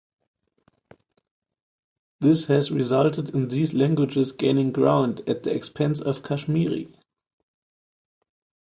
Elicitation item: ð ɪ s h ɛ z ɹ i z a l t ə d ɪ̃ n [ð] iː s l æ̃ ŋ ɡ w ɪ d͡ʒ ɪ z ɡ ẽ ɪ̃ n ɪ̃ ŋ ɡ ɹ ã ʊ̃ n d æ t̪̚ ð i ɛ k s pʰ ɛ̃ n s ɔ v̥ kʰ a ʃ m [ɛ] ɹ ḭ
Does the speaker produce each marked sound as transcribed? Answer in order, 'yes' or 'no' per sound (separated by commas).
yes, no